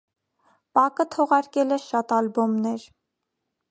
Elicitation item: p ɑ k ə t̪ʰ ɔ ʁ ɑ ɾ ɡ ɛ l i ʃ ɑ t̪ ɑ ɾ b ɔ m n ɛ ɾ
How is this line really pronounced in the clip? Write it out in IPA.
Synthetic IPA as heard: p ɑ k ə t̪ʰ ɔ ʁ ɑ ɾ k ɛ l ɛ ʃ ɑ t̪ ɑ l b ɔ m n ɛ ɾ